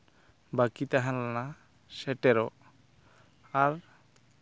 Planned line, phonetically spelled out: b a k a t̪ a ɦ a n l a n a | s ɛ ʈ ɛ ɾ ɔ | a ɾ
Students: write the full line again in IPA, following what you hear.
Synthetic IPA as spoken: b a k i t̪ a ɦ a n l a n a | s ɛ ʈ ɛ ɾ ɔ | a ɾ